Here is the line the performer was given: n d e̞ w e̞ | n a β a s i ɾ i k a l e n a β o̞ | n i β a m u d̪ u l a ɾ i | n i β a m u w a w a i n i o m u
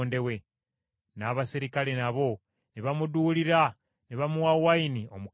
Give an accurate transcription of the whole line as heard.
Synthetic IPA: n d e̞ w e̞ | n a β a s i ɾ i k a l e n a β o̞ | n i β a m u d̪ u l i ɾ a | n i β a m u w a w a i n i o m u

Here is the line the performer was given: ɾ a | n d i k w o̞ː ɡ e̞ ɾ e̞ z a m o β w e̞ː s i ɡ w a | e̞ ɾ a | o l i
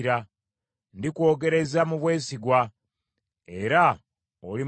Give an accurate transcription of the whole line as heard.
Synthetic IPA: ɾ a | n d i k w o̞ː ɡ e̞ ɾ e̞ z a m u β w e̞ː s i ɡ w a | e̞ ɾ a | o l i

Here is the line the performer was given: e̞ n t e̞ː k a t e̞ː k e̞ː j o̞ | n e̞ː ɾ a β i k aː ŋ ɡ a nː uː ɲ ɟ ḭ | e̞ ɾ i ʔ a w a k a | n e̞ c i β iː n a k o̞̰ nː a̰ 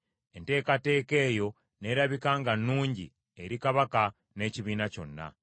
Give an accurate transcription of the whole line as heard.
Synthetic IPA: e̞ n t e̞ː k a t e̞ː k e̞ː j o̞ | n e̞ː ɾ a β i k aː ŋ ɡ a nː uː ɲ ɟ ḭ | e̞ ɾ i k a β a k a | n e̞ c i β iː n a c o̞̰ nː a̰

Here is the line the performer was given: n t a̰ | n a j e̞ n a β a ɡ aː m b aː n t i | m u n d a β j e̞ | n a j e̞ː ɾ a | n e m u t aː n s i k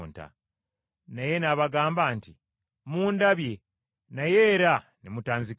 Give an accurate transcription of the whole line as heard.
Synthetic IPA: n t a̰ | n a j e̞ n a β a ɡ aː m b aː n t i | m uː n d a β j e̞ | n a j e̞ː ɾ a | n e m u t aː n z i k

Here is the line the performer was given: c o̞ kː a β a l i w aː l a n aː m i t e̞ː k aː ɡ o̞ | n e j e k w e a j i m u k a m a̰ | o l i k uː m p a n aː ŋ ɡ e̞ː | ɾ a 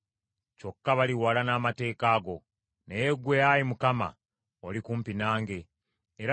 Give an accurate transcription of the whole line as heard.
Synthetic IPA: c o̞ kː a β a l i w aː l a n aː m a t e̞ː k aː ɡ o̞ | n e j e ɡ w e a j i m u k a m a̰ | o l i k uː m p i n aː ŋ ɡ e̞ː | ɾ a

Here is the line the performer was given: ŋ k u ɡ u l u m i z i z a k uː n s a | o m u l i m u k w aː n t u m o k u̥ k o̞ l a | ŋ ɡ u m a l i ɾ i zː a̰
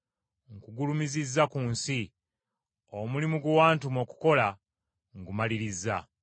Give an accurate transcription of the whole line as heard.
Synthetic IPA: ŋ k u ɡ u l u m i z i zː a k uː n s i | o m u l i m u ɡ w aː n t u m o k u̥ k o̞ l a | ŋ ɡ u m a l i ɾ i zː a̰

